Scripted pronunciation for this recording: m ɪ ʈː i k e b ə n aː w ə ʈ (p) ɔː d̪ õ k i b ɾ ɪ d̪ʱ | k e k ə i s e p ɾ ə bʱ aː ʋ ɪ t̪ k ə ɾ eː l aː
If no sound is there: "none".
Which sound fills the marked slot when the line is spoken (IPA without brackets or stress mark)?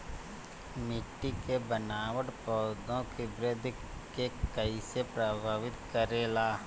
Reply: p